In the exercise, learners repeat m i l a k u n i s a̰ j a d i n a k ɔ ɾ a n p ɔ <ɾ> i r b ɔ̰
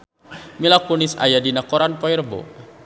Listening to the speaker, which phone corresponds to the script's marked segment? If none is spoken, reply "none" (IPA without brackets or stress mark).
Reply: none